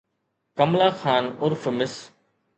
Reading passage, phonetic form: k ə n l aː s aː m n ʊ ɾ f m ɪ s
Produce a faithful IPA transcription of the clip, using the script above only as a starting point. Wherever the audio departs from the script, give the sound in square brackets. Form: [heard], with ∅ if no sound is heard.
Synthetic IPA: k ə [m] l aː [x] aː [∅] n ʊ ɾ f m ɪ s